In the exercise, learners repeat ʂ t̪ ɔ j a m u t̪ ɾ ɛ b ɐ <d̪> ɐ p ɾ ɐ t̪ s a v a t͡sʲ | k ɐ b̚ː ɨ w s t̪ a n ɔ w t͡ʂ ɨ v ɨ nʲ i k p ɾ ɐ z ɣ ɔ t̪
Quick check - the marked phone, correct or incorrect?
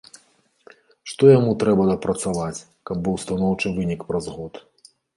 correct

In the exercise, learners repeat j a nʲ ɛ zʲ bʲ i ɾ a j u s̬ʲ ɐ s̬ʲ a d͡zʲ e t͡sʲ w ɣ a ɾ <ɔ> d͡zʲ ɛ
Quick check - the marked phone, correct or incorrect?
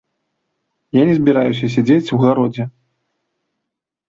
correct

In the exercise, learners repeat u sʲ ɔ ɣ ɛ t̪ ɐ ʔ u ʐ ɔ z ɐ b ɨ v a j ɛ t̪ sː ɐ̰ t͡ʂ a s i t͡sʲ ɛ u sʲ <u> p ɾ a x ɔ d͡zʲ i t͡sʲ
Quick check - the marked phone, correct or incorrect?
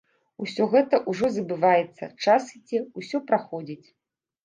incorrect: ɔ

